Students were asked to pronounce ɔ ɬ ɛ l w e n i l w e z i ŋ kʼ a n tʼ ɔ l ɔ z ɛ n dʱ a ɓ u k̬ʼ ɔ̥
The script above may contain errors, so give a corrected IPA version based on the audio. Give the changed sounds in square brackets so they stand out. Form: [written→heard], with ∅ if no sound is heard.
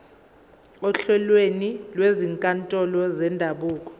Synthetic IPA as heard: ɔ ɬ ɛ l w e n i l w e z i ŋ kʼ a n tʼ ɔ l ɔ z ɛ n dʱ a ɓ [u→uː] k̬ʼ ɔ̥